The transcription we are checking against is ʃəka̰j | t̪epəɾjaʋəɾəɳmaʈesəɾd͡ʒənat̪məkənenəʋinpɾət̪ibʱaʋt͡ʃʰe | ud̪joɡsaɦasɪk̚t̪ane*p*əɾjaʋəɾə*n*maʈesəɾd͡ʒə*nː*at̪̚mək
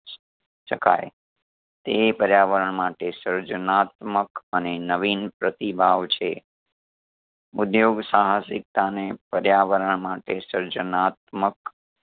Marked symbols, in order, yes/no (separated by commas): yes, no, no